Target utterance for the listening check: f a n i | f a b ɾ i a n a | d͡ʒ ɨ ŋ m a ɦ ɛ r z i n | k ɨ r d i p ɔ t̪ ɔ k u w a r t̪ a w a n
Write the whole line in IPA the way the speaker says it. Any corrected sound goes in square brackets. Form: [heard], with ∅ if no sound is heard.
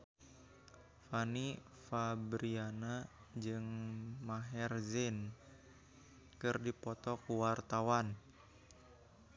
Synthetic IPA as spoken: f a n i | f a b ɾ i a n a | d͡ʒ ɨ ŋ m a ɦ ɛ r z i n | k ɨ r d i p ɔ t̪ ɔ k u w a r t̪ a w a n